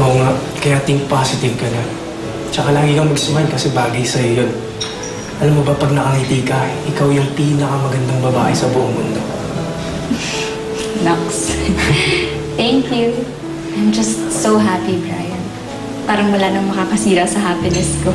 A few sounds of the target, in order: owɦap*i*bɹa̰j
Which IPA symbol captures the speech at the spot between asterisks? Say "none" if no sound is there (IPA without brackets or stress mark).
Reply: i